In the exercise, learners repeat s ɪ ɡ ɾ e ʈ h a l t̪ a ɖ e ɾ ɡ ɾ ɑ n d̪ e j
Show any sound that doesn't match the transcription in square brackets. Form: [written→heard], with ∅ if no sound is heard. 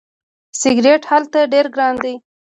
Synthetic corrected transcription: s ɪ ɡ ɾ e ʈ h a l t̪ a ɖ e ɾ ɡ ɾ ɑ n d̪ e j